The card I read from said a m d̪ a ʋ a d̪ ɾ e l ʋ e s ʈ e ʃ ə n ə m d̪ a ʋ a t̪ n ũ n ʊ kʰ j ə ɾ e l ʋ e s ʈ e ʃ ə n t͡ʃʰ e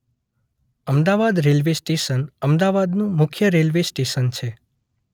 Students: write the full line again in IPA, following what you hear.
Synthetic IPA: ə m d̪ a ʋ a d̪ ɾ e l ʋ e s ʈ e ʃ ə n ə m d̪ a ʋ a d̪ n ũ m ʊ kʰ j ə ɾ e l ʋ e s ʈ e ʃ ə n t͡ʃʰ e

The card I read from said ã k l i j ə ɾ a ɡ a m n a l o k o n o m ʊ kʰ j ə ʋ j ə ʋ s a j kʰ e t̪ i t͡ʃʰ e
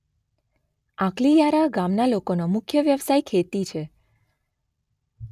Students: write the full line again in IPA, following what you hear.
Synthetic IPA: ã k l i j a ɾ a ɡ a m n a l o k o n o m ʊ kʰ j ə ʋ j ə ʋ s a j kʰ e t̪ i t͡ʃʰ e

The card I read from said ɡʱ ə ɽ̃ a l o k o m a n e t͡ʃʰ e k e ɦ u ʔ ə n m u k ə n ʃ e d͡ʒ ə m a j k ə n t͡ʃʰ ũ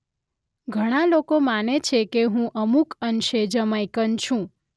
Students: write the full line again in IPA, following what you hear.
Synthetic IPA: ɡʱ ə ɽ̃ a l o k o m a n e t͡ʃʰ e k e ɦ ũ ʔ ə m u k ə n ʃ e d͡ʒ ə m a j k ə n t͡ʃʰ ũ

